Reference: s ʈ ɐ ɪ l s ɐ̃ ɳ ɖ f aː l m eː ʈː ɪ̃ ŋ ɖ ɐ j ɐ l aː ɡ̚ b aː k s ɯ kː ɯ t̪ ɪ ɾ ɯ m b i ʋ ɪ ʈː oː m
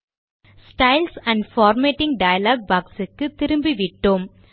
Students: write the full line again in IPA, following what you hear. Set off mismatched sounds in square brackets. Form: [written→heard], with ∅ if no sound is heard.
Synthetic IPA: s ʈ ɐ ɪ l s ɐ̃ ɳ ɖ f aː [l→ɾ] m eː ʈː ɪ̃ ŋ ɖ ɐ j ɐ l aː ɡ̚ b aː k s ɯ kː ɯ t̪ ɪ ɾ ɯ m b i ʋ ɪ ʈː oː m